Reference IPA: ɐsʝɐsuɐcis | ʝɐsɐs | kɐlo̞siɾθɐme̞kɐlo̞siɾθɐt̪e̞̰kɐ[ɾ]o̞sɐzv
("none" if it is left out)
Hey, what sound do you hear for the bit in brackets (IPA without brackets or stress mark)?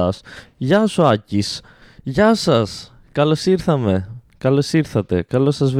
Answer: l